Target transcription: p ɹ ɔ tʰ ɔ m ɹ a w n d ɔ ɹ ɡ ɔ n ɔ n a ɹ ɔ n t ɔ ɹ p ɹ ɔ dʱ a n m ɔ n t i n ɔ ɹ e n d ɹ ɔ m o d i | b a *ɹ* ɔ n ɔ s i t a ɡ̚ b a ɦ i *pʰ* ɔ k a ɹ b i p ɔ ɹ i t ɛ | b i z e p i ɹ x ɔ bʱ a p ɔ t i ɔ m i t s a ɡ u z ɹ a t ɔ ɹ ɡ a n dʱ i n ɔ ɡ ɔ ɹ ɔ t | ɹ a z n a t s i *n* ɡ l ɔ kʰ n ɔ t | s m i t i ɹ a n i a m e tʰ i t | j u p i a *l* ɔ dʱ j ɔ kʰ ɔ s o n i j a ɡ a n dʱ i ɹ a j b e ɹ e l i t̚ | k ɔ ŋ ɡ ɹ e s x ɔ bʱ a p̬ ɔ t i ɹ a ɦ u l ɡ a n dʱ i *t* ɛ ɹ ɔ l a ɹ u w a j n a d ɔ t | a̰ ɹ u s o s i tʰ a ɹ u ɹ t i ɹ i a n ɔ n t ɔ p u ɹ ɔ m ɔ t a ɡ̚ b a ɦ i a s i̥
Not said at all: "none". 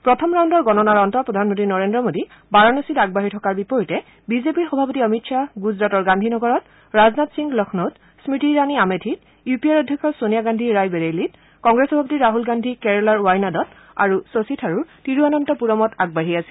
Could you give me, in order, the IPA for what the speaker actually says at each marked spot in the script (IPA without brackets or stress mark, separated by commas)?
ɹ, tʰ, ŋ, ɹ, k